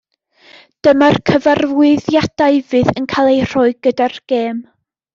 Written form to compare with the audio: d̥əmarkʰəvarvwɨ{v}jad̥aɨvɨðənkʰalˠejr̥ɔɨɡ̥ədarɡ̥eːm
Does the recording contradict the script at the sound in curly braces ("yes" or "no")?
yes